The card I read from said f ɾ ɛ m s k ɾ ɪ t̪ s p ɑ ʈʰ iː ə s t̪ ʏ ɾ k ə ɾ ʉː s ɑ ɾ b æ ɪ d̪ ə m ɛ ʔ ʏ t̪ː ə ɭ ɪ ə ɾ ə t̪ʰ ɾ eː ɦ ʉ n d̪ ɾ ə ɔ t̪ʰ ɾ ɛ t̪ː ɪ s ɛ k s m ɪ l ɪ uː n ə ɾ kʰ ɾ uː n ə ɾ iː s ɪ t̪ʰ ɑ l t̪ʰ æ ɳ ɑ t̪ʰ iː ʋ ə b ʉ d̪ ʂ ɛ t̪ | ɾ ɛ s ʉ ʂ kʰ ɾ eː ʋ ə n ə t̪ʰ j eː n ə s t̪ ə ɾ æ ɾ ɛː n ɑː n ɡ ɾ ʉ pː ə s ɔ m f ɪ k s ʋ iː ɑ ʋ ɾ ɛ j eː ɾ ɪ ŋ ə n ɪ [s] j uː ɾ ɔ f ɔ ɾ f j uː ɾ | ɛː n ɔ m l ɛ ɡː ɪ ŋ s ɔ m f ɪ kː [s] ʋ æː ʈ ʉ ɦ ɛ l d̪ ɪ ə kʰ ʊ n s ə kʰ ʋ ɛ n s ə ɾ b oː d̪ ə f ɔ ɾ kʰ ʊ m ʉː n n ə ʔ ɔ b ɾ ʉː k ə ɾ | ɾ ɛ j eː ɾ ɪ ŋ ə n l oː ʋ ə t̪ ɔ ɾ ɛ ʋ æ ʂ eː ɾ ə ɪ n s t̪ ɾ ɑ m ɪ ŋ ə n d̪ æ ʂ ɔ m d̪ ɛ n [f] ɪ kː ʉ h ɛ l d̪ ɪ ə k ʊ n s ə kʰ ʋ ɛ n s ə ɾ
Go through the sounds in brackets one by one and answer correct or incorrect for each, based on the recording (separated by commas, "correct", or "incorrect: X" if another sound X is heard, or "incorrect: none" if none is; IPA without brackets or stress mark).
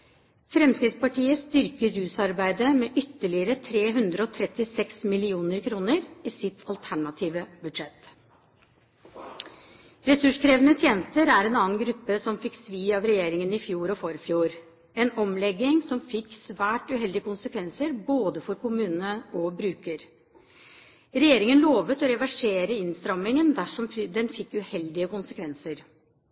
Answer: incorrect: f, correct, correct